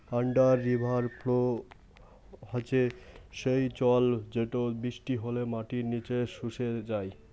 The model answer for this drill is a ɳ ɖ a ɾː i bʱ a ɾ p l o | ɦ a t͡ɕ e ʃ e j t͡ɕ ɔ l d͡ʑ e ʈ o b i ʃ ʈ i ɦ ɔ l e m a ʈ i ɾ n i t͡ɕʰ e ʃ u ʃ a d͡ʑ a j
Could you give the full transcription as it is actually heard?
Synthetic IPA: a ɳ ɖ a ɾː i bʱ a ɾ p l o | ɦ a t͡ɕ e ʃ e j t͡ɕ ɔ l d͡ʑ e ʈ o b i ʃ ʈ i ɦ o l e m a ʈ i ɾ n i t͡ɕ e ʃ u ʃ e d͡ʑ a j